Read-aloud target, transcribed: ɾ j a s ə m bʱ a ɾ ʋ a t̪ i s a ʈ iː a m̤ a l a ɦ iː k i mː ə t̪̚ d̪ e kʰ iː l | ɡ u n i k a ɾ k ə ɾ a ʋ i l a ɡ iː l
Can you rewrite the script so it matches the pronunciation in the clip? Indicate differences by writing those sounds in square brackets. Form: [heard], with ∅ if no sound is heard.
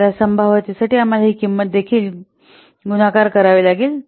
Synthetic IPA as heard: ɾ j a s ə m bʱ a [∅] ʋ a t̪ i s a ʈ iː a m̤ a l a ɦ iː k i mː ə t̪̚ d̪ e kʰ iː l | ɡ u n [a] k a ɾ k ə ɾ a ʋ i l a ɡ iː l